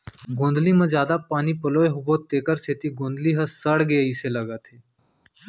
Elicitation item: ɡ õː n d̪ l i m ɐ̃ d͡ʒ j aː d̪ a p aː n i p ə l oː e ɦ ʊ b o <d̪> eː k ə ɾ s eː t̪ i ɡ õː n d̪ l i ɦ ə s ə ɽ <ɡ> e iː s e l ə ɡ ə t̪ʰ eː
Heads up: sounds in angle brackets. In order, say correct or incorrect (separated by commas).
incorrect, correct